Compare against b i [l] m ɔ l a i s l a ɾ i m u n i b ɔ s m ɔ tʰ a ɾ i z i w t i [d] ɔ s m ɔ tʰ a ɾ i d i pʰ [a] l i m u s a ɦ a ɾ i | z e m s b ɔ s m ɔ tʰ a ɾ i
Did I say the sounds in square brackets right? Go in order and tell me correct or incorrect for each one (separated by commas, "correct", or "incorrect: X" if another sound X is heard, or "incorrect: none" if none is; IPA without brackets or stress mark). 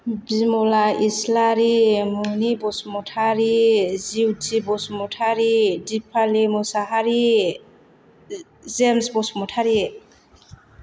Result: incorrect: none, incorrect: b, correct